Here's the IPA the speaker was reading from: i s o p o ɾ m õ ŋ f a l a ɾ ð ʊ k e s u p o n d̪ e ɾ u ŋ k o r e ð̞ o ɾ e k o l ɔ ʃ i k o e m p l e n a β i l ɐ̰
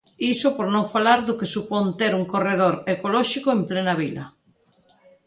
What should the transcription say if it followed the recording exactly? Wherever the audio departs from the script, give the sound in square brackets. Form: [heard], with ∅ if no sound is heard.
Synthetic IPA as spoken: i s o p o ɾ [n] õ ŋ f a l a ɾ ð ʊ k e s u p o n [t̪] e ɾ u ŋ k o r e ð̞ o ɾ e k o l ɔ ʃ i k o e m p l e n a β i l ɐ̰